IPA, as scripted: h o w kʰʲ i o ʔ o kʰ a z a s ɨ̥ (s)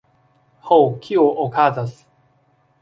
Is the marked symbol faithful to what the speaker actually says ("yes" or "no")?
no